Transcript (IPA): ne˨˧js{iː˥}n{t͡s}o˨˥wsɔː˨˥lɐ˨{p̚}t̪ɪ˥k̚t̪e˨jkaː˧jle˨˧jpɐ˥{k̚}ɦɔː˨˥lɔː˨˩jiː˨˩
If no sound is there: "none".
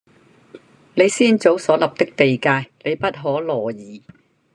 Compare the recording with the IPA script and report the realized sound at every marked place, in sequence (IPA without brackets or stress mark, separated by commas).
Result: iː˥, t͡s, p̚, t̚